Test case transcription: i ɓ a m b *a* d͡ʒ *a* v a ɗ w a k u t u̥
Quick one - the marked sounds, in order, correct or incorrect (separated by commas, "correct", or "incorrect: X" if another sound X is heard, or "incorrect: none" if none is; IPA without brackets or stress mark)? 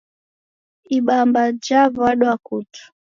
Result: correct, correct